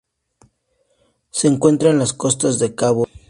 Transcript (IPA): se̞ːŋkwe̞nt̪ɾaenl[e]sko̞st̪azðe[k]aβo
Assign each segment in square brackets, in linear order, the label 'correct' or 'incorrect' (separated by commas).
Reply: incorrect, correct